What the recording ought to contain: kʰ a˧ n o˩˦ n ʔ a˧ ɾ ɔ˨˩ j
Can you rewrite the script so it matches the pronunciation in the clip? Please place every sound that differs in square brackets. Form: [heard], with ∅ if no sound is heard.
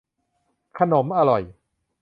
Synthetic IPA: kʰ a˧ n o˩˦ [m] ʔ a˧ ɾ ɔ˨˩ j